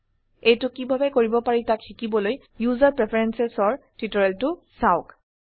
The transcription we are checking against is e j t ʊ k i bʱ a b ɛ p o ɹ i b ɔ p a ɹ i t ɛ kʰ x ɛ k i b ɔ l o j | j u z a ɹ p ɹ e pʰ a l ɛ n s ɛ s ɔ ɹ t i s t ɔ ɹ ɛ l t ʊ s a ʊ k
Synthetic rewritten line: e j t ʊ k i bʱ a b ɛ k o ɹ i b ɔ p a ɹ i t a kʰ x i k i b ɔ l o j | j u z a ɹ p ɹ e pʰ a ɹ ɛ n s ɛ s ɔ ɹ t i t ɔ ɹ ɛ l t ʊ s a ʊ k